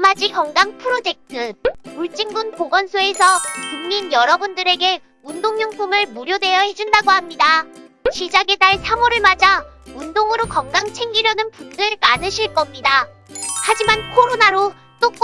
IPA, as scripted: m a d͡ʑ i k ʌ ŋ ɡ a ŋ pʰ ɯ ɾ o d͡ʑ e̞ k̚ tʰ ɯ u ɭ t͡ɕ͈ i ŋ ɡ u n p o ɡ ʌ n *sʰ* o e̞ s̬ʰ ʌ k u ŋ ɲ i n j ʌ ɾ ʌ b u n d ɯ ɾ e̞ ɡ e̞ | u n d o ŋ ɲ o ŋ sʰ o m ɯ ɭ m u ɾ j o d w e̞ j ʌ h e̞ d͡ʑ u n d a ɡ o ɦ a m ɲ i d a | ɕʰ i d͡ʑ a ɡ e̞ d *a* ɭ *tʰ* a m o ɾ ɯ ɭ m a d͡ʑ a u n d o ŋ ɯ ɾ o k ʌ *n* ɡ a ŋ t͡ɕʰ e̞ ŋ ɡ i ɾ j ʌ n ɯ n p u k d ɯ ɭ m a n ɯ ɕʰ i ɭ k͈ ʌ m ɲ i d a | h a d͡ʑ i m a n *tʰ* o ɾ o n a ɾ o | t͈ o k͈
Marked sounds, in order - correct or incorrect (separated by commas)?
correct, correct, incorrect, incorrect, incorrect